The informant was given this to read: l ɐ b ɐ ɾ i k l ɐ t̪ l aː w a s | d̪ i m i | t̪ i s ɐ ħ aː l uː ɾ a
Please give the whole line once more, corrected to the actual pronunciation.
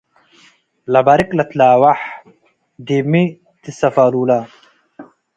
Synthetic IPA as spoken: l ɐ b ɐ ɾ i k l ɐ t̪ l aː w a ħ | d̪ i m i | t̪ i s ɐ f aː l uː l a

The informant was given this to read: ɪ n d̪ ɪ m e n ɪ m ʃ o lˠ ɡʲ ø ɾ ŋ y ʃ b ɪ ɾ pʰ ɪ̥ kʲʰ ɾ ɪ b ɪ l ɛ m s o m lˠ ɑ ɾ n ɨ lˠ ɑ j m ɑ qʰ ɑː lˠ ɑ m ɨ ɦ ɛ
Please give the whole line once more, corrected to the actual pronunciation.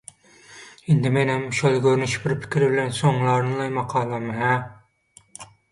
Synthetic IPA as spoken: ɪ n d̪ ɪ m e n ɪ m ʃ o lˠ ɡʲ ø ɾ n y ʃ b ɪ ɾ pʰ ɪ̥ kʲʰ ɾ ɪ b ɪ l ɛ n s o ŋ lˠ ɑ ɾ n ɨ lˠ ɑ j m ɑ qʰ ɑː lˠ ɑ m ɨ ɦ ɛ

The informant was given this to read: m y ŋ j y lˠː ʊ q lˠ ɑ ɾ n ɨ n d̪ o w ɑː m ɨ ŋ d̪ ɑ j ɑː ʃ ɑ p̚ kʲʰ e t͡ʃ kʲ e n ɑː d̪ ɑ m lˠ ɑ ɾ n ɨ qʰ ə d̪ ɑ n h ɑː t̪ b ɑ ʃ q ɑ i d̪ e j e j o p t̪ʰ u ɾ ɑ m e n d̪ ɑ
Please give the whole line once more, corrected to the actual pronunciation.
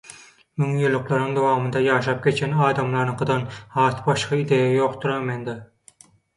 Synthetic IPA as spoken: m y ŋ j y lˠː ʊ q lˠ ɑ ɾ n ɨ ŋ d̪ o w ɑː m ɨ n d̪ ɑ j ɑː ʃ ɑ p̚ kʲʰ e t͡ʃ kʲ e n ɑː d̪ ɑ m lˠ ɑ ɾ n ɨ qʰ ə d̪ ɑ n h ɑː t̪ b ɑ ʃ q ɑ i d̪ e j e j o q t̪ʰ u ɾ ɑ m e n d̪ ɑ

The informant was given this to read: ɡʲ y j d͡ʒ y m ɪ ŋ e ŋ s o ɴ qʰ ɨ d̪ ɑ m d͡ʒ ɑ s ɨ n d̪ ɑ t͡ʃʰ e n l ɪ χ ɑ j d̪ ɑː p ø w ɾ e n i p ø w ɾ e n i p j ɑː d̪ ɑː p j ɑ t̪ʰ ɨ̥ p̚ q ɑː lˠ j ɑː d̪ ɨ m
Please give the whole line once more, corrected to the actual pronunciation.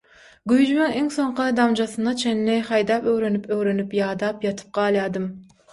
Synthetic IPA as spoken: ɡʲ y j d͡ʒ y m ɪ ŋ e ŋ s o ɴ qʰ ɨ d̪ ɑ m d͡ʒ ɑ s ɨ n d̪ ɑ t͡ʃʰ e n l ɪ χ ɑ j d̪ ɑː p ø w ɾ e n y p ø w ɾ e n y p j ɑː d̪ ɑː p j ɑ t̪ʰ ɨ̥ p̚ q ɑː lˠ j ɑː d̪ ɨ m

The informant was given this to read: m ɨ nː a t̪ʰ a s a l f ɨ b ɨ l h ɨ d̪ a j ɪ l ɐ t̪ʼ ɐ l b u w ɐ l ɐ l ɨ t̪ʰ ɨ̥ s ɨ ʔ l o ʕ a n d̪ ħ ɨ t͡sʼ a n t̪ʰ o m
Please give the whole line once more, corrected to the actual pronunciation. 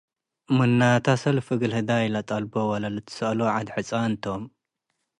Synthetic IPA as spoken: m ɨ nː a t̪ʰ a s ɐ l f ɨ ɡ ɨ l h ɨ d̪ a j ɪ l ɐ t̪ʼ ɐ l b o w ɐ l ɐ l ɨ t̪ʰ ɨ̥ s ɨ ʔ l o ʕ a d̪ ħ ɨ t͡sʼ a n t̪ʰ o m

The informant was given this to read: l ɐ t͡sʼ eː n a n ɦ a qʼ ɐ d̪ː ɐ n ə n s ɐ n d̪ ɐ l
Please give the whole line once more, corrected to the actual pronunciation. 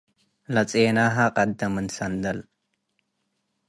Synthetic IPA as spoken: l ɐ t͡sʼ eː n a ɦ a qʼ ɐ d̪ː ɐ m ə n s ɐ n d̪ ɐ l

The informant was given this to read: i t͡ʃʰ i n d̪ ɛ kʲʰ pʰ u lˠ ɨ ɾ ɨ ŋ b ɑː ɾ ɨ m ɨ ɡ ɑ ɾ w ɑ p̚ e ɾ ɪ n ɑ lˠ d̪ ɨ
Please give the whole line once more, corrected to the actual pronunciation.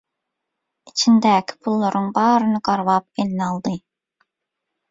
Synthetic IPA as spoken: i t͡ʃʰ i n d̪ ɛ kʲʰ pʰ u lˠː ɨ ɾ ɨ ŋ b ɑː ɾ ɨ n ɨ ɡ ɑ ɾ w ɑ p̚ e l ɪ n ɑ lˠ d̪ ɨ

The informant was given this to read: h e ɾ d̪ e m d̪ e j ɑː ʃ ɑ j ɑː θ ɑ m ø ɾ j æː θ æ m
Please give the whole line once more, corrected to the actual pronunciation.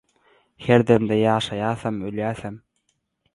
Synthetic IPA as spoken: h e ɾ d̪ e m d̪ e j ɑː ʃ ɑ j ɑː θ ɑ m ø l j æː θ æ m

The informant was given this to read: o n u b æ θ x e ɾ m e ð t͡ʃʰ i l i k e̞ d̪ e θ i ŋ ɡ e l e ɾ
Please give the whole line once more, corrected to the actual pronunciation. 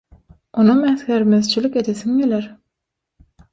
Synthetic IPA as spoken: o n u m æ θ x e ɾ m e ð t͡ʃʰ i l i k e̞ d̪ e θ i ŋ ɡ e l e ɾ

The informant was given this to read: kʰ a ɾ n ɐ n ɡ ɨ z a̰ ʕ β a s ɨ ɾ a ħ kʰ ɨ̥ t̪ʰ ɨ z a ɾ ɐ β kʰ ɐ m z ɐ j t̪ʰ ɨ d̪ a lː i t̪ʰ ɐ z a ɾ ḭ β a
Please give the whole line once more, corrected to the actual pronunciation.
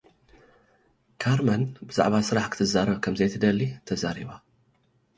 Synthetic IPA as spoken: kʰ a ɾ m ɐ n b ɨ z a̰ ʕ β a s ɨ ɾ a ħ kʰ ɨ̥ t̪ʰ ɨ z a ɾ ɐ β kʰ ɐ m z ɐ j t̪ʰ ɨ d̪ ɐ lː i t̪ʰ ɐ z a ɾ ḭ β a

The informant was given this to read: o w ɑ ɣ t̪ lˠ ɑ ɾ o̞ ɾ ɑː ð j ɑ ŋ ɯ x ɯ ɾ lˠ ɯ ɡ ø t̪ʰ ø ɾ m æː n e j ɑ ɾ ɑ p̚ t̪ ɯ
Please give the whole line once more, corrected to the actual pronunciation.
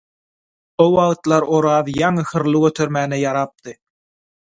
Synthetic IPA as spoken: o w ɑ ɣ t̪ lˠ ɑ ɾ o̞ ɾ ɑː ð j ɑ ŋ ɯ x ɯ ɾ lˠ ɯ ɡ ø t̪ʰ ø ɾ m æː n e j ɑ ɾ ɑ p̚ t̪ ɯ

